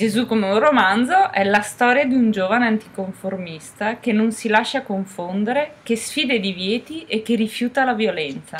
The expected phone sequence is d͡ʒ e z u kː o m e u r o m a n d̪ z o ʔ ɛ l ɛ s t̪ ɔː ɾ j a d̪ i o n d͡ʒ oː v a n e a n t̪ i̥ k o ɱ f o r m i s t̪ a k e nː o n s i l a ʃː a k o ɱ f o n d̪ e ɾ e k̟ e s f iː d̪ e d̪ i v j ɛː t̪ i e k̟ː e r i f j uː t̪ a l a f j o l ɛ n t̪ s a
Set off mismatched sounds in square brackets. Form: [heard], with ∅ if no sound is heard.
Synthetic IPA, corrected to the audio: d͡ʒ e z u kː o m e u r o m a n d̪ z o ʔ ɛ l [a] s t̪ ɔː ɾ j a d̪ i [u] n d͡ʒ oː v a n e a n t̪ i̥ k o ɱ f o r m i s t̪ a k e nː o n s i l a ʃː a k o ɱ f o n d̪ e ɾ e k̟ e s f iː d̪ e d̪ i v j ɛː t̪ i e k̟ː e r i f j uː t̪ a l a [v] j o l ɛ n t̪ s a